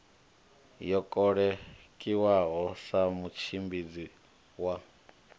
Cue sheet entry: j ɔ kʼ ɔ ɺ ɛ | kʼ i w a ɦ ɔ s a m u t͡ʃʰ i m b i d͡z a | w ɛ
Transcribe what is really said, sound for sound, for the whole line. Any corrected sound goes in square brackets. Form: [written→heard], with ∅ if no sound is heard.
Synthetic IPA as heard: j ɔ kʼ ɔ ɺ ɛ | kʼ i w a ɦ ɔ s a m u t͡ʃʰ i m b i d͡z [a→i] | w [ɛ→a]